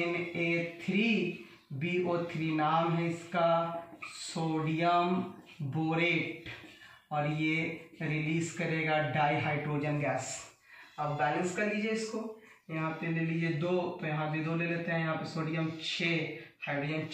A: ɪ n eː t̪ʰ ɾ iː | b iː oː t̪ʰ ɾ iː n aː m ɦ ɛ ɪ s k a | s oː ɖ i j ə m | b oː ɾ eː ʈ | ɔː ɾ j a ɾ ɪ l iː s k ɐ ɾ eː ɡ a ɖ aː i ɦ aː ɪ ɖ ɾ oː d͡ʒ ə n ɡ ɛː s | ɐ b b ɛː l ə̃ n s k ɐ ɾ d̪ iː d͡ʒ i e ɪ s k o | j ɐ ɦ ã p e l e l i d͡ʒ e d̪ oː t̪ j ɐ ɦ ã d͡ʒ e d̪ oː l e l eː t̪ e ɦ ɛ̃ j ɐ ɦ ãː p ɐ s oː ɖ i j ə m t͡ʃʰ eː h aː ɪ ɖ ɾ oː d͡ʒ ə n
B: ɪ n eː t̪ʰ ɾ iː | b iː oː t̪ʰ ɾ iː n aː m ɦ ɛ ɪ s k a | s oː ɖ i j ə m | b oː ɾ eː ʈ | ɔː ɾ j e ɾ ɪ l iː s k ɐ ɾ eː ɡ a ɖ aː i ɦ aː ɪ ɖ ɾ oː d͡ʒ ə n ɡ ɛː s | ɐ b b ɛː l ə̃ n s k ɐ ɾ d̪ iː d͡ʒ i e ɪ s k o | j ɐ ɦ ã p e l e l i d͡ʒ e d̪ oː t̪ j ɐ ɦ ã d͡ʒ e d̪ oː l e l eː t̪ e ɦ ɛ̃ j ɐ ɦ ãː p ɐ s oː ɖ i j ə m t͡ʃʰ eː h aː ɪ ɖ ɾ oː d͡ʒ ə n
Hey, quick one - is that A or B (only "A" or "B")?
B